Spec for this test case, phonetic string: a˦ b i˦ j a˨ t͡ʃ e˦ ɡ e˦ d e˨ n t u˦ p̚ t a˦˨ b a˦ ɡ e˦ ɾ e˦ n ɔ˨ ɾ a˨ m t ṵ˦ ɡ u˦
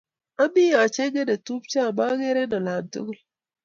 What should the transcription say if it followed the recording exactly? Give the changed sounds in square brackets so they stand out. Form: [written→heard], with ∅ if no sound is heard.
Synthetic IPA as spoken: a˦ b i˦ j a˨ t͡ʃ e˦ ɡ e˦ d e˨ [n→∅] t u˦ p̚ [t→t͡ʃ] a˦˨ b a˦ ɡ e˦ ɾ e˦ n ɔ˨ [ɾ→l] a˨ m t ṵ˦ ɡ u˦